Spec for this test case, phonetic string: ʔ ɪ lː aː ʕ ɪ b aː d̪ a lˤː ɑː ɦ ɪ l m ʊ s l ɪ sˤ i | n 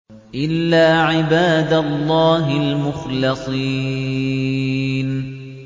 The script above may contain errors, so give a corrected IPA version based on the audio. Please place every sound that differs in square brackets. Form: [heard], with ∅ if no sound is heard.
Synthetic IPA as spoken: ʔ ɪ lː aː ʕ ɪ b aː d̪ a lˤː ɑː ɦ ɪ l m ʊ [x] l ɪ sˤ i | n